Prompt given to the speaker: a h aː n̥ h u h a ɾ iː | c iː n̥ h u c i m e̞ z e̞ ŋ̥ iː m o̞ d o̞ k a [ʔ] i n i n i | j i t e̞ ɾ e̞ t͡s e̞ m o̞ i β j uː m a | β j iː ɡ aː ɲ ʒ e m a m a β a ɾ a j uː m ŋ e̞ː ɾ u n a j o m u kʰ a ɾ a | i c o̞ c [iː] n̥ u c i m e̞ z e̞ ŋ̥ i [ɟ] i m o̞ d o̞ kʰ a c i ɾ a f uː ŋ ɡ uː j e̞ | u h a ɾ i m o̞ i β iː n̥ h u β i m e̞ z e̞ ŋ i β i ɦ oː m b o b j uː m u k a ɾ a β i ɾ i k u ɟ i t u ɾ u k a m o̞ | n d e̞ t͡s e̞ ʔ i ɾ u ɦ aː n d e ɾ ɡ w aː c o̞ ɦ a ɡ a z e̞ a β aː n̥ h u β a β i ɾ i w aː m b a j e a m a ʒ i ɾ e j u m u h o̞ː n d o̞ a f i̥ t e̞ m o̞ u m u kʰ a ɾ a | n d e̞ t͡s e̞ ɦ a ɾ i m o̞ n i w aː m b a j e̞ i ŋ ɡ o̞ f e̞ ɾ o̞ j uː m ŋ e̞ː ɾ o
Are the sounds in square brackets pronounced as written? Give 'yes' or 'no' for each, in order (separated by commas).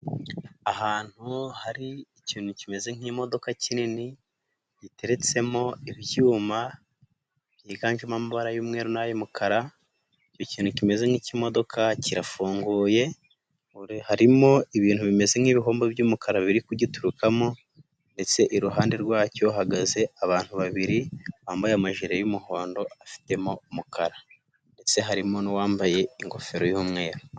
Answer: no, yes, no